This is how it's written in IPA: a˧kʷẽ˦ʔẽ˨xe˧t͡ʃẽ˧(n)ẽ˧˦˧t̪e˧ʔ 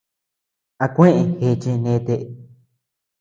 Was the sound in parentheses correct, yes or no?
yes